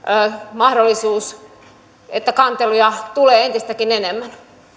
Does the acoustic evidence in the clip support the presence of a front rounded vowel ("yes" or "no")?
no